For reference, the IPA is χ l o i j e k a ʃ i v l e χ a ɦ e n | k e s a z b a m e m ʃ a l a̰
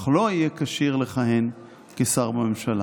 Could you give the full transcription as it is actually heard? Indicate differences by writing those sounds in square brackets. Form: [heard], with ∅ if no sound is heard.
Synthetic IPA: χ l o i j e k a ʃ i [ʁ] l e χ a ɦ e n | k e s a [ʁ] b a m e m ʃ a l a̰